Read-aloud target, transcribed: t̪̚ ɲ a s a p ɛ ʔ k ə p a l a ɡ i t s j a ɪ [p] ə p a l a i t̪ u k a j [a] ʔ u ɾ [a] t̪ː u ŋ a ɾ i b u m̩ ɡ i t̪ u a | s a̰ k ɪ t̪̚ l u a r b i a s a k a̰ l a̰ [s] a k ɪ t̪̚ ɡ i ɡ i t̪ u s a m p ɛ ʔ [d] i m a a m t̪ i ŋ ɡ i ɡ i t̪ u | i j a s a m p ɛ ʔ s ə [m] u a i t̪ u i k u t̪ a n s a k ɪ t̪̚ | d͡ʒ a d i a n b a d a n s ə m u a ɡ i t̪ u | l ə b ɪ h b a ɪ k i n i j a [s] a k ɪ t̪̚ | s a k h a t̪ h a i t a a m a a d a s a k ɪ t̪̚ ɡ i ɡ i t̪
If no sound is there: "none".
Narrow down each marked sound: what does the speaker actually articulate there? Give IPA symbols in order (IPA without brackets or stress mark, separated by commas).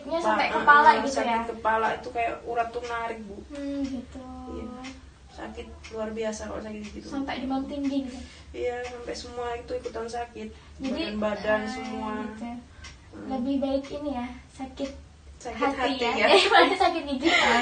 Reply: k, a, a, s, d, m, s